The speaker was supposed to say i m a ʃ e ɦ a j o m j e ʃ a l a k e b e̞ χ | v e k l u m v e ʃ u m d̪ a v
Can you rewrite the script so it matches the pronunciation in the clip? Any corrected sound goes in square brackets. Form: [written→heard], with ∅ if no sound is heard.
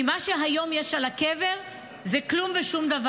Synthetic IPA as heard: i m a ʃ e ɦ a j o m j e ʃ a l a k e [b→v] e̞ [χ→ʁ] | [v→z] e k l u m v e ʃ u m d̪ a v

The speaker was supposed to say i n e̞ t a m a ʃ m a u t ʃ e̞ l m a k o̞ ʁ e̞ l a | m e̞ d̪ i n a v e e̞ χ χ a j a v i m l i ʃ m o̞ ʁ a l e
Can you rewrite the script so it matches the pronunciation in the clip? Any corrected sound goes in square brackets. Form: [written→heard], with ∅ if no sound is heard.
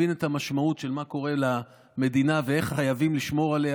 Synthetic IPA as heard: i n e̞ t a m a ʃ m a u t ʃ e̞ l m a k o̞ ʁ e̞ l a | m e̞ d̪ i n a v e e̞ χ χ a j a v i m l i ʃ m o̞ ʁ a l e

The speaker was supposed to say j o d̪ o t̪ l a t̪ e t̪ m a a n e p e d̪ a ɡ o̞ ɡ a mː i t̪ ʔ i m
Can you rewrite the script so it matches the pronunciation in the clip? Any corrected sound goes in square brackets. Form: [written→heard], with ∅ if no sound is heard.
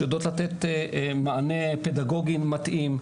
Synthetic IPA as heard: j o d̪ o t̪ l a t̪ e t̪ m a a n e p e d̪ a ɡ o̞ ɡ [a→i] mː [i→a] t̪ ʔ i m

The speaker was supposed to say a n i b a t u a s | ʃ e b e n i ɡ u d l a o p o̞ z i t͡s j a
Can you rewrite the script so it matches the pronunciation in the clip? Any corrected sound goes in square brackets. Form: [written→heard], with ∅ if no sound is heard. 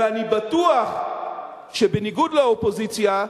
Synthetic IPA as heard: a n i b a t u a [s→χ] | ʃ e b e n i ɡ u d l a o p o̞ z i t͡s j a

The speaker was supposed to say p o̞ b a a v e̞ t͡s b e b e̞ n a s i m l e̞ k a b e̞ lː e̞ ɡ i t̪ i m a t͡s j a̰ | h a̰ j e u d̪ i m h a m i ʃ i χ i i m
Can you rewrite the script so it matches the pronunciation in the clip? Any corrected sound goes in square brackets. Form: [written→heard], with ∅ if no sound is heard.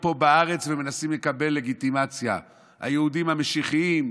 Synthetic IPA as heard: p o̞ b a a [v→ʁ] e̞ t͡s [b→v] e [b→m] e̞ n a s i m l e̞ k a b e̞ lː e̞ ɡ i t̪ i m a t͡s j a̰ | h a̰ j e u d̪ i m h a m [i→e] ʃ i χ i i m

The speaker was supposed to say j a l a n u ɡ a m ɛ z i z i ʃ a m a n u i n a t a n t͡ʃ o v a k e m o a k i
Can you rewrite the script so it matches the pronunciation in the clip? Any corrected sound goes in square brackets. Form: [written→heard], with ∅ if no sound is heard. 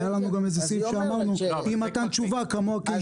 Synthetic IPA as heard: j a l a n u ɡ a m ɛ z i [z→s] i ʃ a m a n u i [n→m] a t a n t͡ʃ [o→u] v a k [e→a] m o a k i

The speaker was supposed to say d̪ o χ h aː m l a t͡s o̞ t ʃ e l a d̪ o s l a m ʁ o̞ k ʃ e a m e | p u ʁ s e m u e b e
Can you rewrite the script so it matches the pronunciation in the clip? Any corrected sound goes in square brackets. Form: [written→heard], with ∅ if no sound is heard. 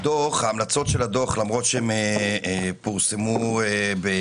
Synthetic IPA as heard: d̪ o χ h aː m l a t͡s o̞ t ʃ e l a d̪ o [s→χ] l a m ʁ o̞ [k→t] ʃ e [a→e] m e | p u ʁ s e m u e b e

